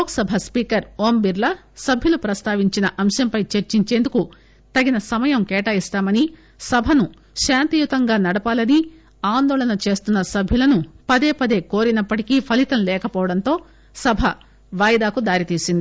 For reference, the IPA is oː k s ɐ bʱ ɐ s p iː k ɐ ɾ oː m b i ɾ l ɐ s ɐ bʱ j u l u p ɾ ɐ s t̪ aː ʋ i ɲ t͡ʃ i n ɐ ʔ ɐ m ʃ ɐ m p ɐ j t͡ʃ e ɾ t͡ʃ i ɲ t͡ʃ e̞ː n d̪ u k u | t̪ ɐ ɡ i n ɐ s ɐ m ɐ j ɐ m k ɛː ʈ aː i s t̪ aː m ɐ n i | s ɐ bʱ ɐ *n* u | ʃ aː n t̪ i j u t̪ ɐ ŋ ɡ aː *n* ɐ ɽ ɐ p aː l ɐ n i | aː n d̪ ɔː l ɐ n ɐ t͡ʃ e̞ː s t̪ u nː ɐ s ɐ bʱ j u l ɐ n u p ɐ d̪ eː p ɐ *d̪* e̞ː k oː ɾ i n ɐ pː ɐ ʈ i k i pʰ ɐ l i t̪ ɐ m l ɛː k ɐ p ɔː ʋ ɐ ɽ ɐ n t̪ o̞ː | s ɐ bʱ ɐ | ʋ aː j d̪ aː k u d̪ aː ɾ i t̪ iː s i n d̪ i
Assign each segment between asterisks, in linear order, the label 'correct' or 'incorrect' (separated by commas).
correct, correct, correct